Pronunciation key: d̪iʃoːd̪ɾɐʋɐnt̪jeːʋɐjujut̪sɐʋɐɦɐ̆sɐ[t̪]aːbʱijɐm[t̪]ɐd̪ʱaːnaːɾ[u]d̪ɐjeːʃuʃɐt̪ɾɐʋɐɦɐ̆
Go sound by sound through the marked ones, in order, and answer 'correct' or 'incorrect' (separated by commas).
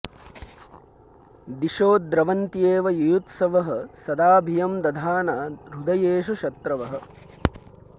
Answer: incorrect, incorrect, correct